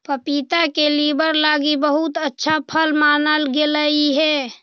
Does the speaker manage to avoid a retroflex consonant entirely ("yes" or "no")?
yes